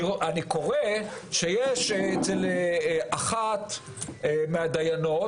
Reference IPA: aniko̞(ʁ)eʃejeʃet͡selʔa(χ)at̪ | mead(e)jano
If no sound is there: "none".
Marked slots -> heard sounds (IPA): ʁ, χ, a

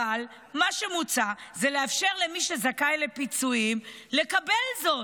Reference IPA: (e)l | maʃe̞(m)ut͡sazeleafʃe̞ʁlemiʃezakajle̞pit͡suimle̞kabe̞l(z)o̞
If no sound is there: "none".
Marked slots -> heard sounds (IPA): a, m, z

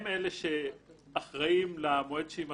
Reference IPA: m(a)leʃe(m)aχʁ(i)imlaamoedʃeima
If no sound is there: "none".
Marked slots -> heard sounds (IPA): e, none, a

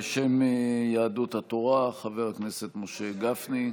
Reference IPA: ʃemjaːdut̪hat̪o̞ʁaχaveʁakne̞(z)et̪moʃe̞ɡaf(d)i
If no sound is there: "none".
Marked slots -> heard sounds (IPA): s, n

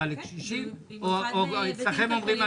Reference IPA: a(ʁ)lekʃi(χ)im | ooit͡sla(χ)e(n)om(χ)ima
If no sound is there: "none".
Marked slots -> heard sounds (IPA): none, ʃ, χ, m, ʁ

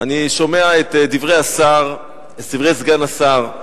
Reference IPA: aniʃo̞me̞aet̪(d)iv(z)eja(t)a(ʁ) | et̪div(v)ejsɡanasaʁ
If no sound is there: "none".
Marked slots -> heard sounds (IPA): d, ʁ, s, ʁ, ʁ

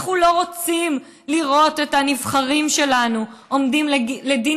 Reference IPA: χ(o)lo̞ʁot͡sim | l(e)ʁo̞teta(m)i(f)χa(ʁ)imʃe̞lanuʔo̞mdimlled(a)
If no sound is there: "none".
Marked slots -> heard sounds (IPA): u, i, n, v, ʁ, i

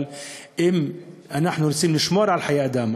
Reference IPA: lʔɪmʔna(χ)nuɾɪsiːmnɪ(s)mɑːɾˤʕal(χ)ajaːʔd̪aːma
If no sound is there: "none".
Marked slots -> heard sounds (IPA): ħ, ʃ, ħ

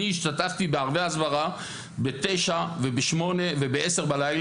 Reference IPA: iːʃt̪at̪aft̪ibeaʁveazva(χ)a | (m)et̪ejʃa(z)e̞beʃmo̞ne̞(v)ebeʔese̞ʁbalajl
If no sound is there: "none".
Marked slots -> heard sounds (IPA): ʁ, b, v, v

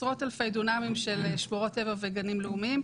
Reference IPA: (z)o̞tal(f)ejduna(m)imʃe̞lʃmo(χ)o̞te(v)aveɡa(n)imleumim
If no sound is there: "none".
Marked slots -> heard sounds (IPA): ʁ, f, m, ʁ, v, n

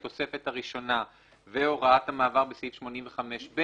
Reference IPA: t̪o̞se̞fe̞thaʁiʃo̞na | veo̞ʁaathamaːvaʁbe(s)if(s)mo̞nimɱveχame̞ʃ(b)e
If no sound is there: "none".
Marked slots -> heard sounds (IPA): s, ʃ, b

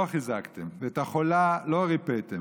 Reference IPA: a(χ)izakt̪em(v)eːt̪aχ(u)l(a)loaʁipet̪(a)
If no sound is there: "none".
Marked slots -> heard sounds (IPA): χ, v, o, a, e

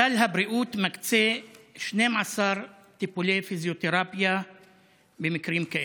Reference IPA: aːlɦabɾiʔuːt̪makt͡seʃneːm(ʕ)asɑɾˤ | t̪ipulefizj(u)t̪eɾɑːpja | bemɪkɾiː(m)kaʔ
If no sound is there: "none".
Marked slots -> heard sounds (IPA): ʕ, o, m

